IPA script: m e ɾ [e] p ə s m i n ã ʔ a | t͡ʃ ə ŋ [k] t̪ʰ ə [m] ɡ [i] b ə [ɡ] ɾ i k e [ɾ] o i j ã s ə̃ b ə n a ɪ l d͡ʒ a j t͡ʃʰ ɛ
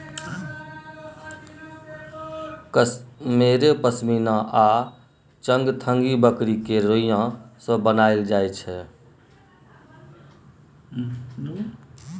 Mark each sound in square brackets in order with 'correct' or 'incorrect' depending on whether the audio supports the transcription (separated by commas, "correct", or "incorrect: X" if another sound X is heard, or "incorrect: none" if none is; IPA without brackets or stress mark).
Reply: correct, incorrect: ɡ, incorrect: ŋ, correct, incorrect: k, correct